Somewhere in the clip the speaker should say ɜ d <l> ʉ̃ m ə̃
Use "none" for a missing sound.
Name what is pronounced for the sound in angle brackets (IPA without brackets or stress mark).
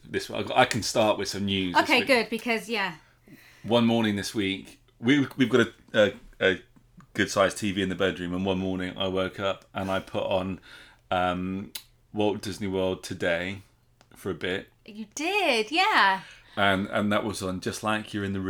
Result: ɹ